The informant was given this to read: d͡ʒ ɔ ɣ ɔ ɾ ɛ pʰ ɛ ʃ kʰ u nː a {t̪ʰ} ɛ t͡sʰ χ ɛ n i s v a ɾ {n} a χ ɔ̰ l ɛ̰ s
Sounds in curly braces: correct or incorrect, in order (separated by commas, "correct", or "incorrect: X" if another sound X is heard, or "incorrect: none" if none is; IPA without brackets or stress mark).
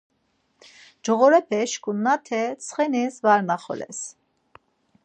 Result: correct, correct